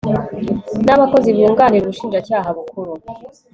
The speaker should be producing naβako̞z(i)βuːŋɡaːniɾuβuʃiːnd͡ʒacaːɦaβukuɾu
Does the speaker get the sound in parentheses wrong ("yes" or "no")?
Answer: no